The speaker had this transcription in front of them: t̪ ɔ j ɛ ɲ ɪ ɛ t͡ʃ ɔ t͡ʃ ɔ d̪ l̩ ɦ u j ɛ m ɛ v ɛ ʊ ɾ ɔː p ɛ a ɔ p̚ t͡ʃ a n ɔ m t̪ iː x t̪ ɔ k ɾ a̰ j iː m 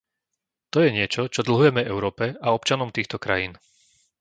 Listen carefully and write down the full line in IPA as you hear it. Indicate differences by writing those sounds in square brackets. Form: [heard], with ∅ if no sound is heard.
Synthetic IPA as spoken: t̪ ɔ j ɛ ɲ ɪ ɛ t͡ʃ ɔ t͡ʃ ɔ d̪ l̩ ɦ u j ɛ m ɛ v ɛ ʊ ɾ ɔː p ɛ a ɔ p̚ t͡ʃ a n ɔ m t̪ iː x t̪ ɔ k ɾ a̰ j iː [n]